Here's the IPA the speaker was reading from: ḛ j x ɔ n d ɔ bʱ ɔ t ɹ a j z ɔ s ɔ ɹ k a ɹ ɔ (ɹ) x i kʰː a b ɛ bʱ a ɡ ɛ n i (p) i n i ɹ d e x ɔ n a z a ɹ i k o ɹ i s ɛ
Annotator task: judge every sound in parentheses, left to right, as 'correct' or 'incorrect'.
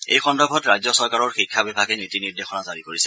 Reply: correct, incorrect: t

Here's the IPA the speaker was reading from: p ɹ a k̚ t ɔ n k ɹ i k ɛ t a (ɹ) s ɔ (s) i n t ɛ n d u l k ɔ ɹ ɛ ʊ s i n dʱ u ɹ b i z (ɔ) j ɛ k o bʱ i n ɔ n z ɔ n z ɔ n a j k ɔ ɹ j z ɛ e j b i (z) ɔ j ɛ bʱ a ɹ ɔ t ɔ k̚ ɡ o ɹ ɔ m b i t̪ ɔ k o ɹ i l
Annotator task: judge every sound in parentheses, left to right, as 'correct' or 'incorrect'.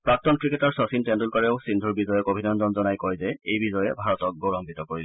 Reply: correct, correct, correct, correct

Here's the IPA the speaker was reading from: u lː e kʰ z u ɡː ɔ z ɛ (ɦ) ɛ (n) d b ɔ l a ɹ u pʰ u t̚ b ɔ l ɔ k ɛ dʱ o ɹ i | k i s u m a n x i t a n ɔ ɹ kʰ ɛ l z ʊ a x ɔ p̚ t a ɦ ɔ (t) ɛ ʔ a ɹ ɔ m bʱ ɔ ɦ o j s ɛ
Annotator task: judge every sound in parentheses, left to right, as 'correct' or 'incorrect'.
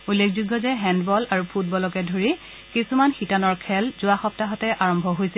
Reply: correct, correct, correct

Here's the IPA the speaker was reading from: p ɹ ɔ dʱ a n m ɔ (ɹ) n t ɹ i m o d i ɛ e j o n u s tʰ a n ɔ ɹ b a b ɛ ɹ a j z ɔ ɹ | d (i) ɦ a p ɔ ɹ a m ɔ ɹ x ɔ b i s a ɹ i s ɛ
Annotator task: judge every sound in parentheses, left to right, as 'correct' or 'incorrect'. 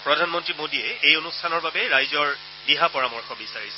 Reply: incorrect: none, correct

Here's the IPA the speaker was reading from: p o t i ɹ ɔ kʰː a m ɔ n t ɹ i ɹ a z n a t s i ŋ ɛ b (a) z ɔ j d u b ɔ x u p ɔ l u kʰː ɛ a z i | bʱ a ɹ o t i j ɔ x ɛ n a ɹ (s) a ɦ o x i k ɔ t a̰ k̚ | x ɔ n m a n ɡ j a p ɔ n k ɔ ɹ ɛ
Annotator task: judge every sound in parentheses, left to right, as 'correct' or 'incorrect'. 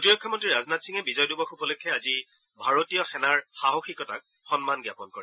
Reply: incorrect: i, incorrect: x

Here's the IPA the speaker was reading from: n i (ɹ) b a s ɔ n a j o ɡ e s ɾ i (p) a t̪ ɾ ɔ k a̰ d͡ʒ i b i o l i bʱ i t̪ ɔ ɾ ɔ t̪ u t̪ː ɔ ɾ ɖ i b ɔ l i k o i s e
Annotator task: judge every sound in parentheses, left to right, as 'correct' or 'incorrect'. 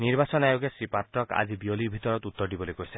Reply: incorrect: ɾ, correct

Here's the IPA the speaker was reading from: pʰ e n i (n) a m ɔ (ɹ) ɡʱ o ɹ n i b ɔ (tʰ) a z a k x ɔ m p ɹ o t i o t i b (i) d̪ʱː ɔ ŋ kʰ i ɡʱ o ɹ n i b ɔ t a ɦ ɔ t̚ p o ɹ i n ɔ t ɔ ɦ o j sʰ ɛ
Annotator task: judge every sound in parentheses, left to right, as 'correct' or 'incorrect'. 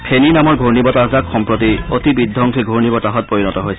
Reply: correct, correct, incorrect: t, correct

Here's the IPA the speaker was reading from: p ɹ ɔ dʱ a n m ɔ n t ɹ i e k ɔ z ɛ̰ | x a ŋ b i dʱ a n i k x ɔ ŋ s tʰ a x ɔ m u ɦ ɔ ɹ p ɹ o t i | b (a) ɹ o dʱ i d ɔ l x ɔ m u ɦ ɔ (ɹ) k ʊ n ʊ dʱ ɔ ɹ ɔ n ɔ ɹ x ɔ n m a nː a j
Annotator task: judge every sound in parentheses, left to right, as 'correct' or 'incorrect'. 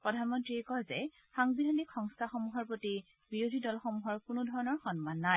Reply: incorrect: i, correct

